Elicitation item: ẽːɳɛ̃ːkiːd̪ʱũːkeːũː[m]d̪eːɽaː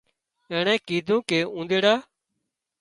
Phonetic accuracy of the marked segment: incorrect: n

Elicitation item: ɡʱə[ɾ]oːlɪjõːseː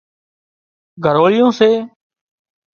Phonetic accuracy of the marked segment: correct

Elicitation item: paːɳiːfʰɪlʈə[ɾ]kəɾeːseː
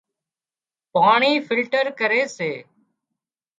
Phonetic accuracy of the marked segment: correct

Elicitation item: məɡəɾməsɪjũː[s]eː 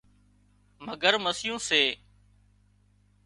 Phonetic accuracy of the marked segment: correct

